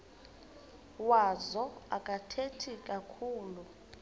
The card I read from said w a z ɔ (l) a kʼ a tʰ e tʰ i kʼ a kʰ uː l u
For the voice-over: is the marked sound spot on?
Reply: no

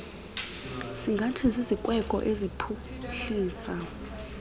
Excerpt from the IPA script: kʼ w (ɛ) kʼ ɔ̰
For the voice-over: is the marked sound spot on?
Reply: yes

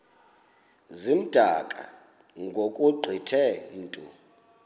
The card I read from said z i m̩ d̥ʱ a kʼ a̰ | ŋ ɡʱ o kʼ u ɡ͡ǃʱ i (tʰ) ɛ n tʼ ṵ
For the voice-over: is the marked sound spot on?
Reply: yes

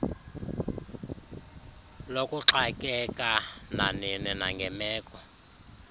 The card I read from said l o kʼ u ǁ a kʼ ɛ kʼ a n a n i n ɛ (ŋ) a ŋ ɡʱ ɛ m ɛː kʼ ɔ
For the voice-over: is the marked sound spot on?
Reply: no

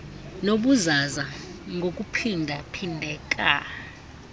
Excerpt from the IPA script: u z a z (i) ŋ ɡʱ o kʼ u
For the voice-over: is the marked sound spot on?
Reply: no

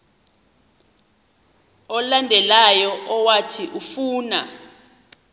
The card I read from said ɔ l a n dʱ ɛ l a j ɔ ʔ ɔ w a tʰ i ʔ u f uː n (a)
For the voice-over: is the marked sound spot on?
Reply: yes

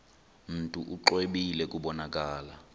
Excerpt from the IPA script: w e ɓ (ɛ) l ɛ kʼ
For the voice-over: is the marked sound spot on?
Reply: no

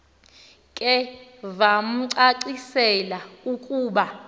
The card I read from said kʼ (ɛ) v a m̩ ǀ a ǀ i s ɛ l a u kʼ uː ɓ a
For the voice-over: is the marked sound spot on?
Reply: yes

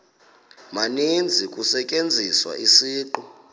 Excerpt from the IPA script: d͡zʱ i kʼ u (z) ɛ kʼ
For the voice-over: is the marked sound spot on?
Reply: no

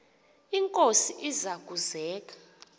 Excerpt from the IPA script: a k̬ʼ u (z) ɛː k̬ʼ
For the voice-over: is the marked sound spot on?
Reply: yes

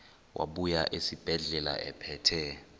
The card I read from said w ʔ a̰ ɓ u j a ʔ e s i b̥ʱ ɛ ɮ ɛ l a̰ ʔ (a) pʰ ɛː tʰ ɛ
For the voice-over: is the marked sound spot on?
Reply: no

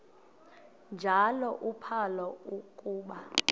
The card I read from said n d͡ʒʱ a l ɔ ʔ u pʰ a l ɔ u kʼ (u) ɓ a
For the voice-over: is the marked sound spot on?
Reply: no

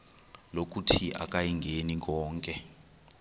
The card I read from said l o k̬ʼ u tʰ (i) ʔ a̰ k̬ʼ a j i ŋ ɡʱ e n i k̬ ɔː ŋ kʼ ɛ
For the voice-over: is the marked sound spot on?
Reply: yes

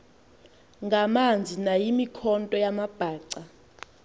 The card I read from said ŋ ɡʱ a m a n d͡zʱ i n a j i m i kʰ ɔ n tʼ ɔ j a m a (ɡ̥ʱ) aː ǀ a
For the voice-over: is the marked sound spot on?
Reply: no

